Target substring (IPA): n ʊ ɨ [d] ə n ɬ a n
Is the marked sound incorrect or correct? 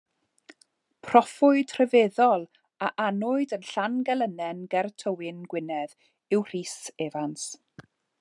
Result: correct